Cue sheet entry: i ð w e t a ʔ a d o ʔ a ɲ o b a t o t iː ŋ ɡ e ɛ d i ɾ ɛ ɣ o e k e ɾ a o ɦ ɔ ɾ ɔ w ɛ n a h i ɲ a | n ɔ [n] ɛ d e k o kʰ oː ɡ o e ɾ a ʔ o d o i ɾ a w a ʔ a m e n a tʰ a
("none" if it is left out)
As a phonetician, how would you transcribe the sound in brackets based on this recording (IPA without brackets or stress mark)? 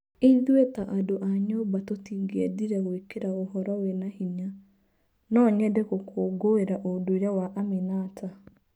ɲ